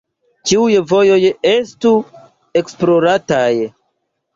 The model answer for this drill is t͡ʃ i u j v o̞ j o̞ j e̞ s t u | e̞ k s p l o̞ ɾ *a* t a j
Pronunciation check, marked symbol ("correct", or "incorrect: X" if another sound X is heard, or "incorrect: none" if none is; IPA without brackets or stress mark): correct